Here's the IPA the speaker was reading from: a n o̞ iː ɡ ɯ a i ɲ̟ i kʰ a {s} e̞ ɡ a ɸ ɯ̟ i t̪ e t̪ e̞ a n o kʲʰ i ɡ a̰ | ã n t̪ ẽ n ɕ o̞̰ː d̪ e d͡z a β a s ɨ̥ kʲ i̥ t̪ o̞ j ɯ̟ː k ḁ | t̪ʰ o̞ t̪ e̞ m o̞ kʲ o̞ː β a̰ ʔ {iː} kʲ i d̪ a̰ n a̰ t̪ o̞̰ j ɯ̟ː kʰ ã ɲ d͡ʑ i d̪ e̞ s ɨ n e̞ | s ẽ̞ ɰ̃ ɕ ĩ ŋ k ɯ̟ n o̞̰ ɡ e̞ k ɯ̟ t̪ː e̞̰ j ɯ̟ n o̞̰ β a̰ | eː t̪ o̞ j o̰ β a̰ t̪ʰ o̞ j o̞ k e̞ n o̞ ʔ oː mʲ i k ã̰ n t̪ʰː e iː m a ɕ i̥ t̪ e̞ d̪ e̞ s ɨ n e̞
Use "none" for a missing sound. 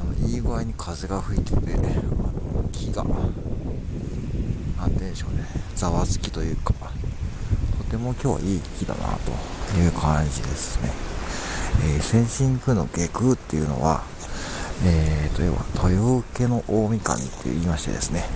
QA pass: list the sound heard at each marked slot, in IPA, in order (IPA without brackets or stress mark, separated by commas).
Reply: z, iː